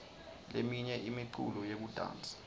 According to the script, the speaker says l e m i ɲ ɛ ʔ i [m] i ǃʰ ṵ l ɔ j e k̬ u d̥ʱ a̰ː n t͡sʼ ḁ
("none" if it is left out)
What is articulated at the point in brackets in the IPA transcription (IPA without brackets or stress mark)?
m